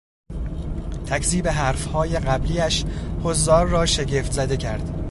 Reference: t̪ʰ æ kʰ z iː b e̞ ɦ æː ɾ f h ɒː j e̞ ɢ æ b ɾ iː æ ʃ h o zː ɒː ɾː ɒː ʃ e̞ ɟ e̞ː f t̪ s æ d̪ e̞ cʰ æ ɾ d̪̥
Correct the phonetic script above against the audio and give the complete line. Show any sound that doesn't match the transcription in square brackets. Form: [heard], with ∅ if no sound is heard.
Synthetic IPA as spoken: t̪ʰ æ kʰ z iː b e̞ ɦ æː ɾ f h ɒː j e̞ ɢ æ b [l] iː æ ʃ h o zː ɒː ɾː ɒː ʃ e̞ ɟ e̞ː f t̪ [z] æ d̪ e̞ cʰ æ ɾ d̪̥